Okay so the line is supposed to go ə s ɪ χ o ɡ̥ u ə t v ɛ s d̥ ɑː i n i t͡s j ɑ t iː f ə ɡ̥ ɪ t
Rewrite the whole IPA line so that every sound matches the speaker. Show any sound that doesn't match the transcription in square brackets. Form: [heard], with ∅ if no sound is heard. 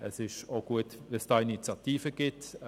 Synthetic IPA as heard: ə s ɪ [ʃ] o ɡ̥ u ə t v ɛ s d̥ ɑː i n i t͡s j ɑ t iː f ə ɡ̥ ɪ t